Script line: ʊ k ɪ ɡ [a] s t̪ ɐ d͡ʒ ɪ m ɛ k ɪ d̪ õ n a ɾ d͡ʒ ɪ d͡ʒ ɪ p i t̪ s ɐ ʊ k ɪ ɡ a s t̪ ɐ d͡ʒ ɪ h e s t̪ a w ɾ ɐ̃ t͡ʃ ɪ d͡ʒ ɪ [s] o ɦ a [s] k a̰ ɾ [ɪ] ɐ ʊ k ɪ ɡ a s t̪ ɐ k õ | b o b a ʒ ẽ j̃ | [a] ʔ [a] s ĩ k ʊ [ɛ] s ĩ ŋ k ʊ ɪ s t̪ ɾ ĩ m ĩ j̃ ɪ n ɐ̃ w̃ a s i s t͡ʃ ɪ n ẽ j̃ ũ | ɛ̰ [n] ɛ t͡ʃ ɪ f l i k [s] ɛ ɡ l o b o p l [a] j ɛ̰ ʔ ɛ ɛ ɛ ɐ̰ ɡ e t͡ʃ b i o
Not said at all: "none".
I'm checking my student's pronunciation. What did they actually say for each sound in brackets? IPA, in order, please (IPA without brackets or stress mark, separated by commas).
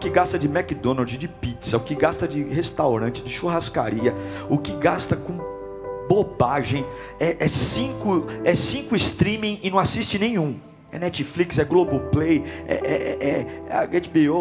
a, ʃ, s, i, ɛ, ɛ, ɛ, n, s, e